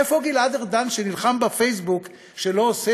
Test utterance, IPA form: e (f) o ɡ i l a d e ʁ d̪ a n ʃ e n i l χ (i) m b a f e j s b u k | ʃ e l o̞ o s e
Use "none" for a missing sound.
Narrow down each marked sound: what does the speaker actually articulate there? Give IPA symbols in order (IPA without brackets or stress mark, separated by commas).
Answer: f, a